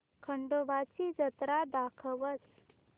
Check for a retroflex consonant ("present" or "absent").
present